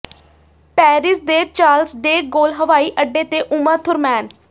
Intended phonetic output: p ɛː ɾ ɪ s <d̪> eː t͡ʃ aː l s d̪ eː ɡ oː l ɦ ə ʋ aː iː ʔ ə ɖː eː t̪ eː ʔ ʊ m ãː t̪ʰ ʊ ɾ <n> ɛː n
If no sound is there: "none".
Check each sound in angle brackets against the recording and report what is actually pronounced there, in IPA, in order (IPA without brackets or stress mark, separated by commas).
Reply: d̪, m